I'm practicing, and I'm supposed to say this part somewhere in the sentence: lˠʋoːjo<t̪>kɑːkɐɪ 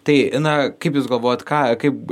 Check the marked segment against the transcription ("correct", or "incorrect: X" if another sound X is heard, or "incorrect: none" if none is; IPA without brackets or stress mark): correct